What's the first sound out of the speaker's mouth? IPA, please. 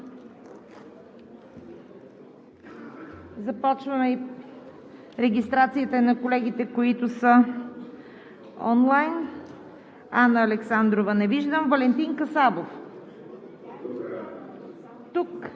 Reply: z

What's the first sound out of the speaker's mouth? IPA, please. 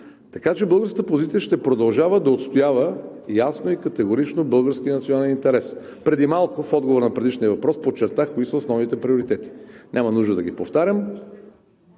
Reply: t̪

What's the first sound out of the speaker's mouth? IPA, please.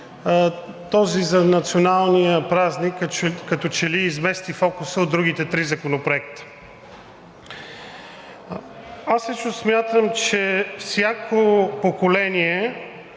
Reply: t̪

